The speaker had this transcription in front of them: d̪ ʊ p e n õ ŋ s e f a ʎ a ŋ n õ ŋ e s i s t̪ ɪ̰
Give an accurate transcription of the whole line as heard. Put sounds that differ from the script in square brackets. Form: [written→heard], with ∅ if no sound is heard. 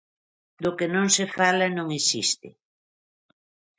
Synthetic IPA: d̪ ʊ [p→k] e n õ ŋ s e f a [ʎ→l] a [ŋ→∅] n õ ŋ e s i s t̪ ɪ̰